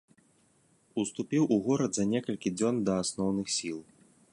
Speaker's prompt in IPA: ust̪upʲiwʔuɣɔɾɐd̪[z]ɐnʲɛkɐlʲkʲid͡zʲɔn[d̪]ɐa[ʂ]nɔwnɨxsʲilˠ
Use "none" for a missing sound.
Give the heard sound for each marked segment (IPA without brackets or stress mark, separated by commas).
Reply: z, d̪, s